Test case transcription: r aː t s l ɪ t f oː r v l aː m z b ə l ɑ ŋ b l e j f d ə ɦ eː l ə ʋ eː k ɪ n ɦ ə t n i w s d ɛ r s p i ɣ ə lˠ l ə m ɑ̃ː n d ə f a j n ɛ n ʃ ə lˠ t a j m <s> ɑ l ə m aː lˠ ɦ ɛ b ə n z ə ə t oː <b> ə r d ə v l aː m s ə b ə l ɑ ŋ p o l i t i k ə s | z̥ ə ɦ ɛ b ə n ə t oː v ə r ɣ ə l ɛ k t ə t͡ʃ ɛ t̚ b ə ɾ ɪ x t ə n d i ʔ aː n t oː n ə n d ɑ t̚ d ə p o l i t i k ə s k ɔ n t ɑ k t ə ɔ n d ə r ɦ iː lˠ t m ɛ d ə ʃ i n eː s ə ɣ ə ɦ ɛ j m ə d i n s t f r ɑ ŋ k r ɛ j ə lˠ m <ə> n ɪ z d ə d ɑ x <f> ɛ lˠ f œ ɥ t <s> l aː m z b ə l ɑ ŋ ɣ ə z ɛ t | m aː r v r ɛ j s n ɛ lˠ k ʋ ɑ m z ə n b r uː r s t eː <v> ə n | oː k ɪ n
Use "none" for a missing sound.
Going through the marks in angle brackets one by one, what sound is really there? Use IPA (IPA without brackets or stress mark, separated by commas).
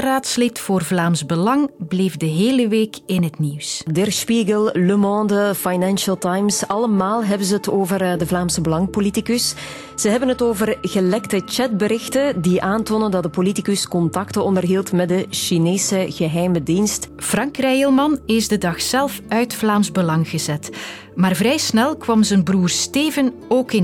s, v, ɑ, s, f, v